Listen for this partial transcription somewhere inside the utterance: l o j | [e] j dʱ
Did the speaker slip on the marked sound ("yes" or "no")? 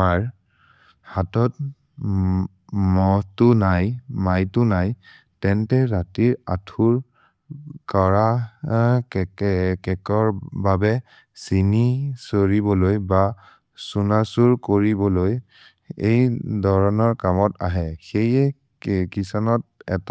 no